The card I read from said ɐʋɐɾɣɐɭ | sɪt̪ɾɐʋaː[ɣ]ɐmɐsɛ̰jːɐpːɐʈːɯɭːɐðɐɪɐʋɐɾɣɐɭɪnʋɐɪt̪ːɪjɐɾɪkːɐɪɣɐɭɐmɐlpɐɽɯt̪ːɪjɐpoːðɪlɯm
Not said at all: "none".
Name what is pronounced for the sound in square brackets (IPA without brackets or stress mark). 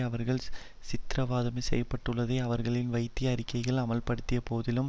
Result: ð